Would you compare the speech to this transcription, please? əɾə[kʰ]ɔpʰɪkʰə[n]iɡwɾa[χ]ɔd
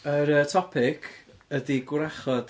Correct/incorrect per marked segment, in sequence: incorrect: tʰ, incorrect: d, correct

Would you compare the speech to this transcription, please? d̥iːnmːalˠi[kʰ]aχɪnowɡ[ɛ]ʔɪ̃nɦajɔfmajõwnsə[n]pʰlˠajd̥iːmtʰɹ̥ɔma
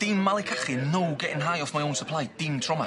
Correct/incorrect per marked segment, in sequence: correct, correct, incorrect: none

